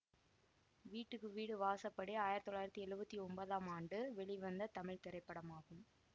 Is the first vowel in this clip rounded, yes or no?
no